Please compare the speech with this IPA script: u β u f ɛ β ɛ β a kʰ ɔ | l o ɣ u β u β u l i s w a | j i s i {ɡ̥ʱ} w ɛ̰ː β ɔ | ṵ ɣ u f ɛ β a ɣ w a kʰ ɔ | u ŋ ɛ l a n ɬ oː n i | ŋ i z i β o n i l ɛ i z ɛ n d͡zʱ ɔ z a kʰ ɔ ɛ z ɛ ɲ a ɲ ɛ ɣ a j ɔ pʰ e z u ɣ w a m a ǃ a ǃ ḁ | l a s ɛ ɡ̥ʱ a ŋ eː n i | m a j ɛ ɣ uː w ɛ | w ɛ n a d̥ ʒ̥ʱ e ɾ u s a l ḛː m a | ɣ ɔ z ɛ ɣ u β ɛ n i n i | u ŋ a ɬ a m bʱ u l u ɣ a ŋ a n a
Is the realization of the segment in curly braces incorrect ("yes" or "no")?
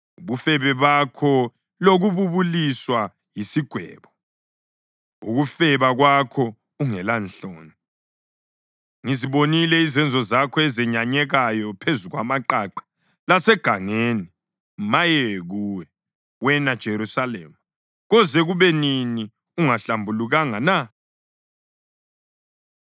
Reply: no